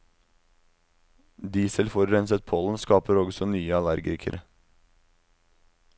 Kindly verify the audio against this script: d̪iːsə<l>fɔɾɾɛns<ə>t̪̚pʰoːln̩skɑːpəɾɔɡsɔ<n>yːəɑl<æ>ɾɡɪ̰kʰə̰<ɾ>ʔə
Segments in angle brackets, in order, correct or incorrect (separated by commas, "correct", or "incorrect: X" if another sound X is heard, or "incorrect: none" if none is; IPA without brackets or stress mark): correct, correct, correct, correct, correct